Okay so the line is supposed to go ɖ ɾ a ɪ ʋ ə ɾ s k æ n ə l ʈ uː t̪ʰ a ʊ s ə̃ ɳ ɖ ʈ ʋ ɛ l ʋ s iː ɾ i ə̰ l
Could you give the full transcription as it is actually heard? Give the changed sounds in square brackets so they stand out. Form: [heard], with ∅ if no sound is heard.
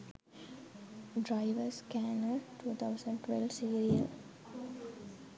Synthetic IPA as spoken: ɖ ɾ a ɪ ʋ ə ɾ s k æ n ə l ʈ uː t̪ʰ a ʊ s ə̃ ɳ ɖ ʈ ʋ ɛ l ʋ s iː ɾ i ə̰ l